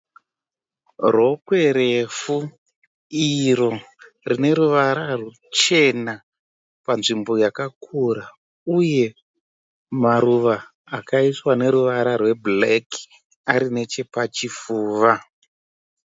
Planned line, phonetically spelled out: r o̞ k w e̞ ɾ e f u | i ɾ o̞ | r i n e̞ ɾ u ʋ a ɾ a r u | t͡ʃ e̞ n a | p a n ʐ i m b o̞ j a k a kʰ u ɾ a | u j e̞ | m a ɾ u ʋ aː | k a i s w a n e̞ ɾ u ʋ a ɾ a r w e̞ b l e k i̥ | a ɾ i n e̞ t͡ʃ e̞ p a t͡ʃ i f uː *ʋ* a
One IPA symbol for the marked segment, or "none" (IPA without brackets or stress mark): ʋ